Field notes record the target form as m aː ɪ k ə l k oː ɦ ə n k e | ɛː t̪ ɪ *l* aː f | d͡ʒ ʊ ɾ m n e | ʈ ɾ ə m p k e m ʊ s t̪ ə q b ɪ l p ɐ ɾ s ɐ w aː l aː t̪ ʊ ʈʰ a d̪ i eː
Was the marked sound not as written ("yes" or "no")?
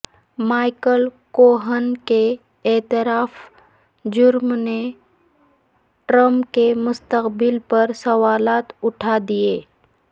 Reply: yes